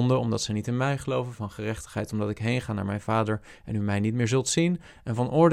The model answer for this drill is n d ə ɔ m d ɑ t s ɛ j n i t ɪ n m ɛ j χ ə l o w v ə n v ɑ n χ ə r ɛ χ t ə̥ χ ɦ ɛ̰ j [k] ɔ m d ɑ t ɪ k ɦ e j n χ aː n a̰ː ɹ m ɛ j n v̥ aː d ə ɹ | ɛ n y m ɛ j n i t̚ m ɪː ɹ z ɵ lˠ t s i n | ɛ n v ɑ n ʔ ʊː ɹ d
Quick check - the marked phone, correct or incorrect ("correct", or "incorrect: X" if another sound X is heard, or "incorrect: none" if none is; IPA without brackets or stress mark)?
incorrect: t